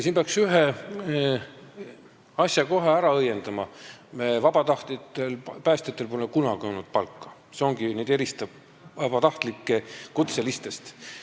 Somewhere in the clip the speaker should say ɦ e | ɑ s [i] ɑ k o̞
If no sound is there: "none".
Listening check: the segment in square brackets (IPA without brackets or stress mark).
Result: j